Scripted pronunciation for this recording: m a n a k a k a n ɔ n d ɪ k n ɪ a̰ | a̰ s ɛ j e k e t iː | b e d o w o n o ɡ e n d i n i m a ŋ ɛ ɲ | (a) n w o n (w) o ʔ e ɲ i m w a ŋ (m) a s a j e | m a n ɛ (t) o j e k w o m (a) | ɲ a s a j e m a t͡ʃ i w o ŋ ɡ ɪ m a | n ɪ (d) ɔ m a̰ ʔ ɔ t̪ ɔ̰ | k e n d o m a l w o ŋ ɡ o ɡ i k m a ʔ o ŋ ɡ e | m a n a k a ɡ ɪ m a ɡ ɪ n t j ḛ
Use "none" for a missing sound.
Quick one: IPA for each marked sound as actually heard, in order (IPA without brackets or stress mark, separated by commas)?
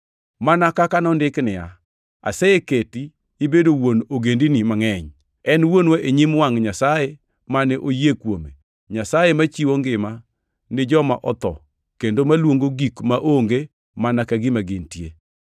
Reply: ɛ, w, ɲ, ʔ, e, d͡ʒ